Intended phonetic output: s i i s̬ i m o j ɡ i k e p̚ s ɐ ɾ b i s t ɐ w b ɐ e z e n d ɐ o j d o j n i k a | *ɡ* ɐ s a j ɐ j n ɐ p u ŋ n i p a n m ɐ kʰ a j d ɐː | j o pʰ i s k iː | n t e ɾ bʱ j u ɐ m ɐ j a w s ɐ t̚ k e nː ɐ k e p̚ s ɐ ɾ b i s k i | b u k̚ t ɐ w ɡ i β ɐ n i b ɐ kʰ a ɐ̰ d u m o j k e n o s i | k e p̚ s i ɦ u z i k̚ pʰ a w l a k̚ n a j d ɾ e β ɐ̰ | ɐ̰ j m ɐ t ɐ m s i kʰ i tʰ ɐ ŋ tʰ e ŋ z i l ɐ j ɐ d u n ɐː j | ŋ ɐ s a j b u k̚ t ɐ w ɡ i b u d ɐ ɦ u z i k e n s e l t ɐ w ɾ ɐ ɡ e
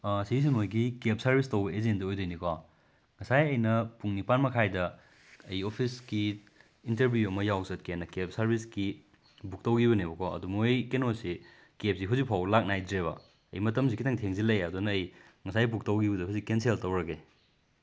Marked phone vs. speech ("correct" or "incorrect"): incorrect